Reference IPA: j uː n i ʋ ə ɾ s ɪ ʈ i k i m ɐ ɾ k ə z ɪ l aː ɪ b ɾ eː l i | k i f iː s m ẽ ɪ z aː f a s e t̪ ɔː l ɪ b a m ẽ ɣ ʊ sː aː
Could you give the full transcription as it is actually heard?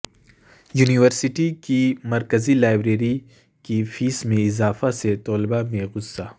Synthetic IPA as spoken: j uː n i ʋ ə ɾ s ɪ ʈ i k i m ɐ ɾ k ə z i l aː ɪ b ɾ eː ɾ i | k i f iː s m ẽ ɪ z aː f a s e t̪ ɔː l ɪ b a m ẽ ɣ ʊ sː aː